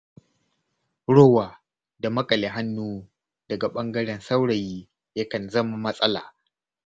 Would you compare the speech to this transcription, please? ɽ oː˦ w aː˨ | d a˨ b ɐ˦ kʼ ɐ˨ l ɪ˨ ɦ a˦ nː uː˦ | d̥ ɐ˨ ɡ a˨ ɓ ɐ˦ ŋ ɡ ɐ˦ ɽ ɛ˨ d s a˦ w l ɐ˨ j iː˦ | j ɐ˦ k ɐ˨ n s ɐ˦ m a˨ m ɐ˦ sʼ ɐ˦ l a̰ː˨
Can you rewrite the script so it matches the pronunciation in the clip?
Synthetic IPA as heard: ɽ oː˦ w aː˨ | d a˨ m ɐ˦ kʼ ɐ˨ l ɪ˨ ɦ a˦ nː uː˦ | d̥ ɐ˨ ɡ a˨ ɓ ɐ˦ ŋ ɡ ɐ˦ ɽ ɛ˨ n s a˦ w ɽ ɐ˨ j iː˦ | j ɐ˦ k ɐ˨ n z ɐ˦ m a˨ m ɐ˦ sʼ ɐ˦ l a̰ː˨